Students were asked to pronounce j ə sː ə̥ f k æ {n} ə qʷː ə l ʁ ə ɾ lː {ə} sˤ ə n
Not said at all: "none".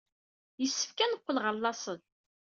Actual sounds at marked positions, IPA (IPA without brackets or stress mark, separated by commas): n, ɑ